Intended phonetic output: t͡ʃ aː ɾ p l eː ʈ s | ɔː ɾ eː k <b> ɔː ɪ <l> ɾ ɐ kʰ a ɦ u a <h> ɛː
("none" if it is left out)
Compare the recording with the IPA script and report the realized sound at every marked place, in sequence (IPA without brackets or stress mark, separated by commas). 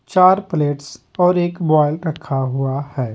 b, l, h